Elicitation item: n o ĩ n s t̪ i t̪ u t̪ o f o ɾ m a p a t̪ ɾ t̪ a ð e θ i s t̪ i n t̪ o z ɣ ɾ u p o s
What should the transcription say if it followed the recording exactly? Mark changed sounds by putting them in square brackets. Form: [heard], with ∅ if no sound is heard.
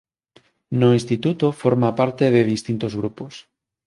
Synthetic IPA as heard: n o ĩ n s t̪ i t̪ u t̪ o f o ɾ m a p a [∅] ɾ t̪ [e] ð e [ð] i s t̪ i n t̪ o z ɣ ɾ u p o s